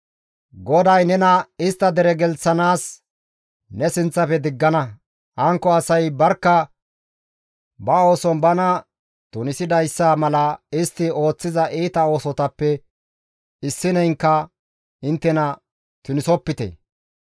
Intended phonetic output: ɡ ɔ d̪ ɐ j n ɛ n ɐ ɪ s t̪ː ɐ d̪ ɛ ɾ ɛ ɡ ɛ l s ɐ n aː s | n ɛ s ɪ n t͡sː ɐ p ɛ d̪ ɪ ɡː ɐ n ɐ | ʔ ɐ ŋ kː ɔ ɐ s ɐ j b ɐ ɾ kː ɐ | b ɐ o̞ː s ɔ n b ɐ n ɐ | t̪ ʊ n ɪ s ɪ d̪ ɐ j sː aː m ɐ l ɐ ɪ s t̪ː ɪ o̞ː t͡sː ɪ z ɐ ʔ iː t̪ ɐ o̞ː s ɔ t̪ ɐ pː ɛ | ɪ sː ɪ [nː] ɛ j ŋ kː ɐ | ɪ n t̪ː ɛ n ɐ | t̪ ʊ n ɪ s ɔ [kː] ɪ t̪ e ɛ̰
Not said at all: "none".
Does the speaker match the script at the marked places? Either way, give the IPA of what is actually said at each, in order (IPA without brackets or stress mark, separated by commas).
n, pː